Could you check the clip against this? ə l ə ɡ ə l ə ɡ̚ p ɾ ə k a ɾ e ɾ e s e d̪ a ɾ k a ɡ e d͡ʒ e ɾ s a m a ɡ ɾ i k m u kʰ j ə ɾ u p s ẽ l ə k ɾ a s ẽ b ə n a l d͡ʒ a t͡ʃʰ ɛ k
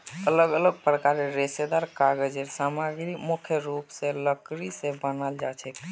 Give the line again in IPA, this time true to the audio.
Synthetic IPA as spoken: ə l ə ɡ ə l ə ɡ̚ p ɾ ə k a ɾ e ɾ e s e d̪ a ɾ k a ɡ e d͡ʒ e ɾ s a m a ɡ ɾ i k m u kʰ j ə ɾ u p s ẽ l ə k ɾ i s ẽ b ə n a l d͡ʒ a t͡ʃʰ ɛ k